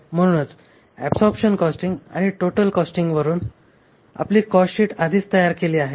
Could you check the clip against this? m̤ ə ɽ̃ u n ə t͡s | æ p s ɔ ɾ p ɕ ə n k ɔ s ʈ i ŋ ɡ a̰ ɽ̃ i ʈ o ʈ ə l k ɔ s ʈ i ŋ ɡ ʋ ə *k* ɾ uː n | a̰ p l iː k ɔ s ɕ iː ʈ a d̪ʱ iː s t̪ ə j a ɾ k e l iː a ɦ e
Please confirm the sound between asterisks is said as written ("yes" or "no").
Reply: no